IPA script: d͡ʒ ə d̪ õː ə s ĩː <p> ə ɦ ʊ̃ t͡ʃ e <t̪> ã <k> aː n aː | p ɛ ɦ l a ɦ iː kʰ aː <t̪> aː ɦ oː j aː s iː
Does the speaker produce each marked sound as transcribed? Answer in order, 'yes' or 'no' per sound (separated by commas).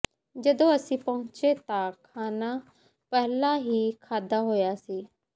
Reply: yes, yes, no, no